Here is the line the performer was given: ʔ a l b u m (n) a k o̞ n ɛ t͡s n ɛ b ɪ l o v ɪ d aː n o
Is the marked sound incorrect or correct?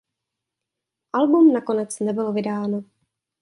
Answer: correct